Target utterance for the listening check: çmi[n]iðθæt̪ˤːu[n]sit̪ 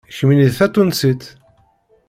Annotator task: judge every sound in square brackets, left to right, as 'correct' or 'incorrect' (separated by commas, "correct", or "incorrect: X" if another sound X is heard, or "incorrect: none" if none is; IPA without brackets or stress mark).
correct, correct